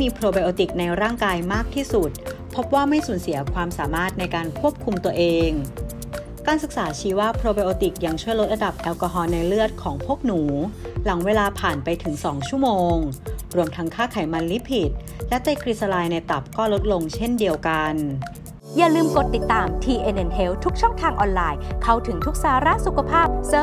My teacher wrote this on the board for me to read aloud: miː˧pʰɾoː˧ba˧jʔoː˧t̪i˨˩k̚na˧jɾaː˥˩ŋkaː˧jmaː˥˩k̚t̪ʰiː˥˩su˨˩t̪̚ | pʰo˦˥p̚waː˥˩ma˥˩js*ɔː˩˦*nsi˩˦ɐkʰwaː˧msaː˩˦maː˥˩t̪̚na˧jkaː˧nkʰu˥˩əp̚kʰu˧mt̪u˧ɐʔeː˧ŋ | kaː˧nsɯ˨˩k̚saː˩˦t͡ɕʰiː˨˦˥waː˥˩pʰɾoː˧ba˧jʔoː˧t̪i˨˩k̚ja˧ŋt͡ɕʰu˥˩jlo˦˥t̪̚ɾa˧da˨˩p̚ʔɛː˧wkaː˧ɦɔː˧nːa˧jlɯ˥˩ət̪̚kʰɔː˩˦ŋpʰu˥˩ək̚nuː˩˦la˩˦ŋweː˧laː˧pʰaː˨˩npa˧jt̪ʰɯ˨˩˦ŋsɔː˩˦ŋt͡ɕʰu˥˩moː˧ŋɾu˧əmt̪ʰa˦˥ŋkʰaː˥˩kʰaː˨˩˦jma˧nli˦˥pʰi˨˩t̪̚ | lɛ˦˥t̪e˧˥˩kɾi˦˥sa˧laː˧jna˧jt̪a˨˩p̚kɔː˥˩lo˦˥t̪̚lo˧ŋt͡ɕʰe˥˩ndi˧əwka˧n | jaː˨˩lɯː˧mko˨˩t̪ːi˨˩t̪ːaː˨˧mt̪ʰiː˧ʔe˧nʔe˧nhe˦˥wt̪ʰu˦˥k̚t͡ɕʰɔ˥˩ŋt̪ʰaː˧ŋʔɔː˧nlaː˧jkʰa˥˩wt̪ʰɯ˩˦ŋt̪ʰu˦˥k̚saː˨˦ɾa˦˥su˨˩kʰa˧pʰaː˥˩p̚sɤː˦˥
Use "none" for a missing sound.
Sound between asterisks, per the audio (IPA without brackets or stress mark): uː˩˦